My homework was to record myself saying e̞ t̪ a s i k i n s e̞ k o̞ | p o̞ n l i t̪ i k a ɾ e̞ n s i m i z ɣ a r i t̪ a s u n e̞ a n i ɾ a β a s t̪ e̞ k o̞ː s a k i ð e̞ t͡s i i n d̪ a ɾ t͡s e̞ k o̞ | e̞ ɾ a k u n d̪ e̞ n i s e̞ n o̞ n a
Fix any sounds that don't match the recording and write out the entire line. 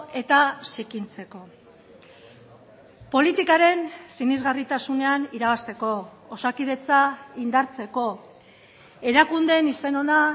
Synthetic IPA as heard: e̞ t̪ a s i k i n t͡s e̞ k o̞ | p o̞ l i t̪ i k a ɾ e̞ n s i n i z ɣ a r i t̪ a s u n e̞ a n i ɾ a β a s t̪ e̞ k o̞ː s a k i ð e̞ t͡s a i n d̪ a ɾ t͡s e̞ k o̞ | e̞ ɾ a k u n d̪ e̞ n i s e̞ n o̞ n a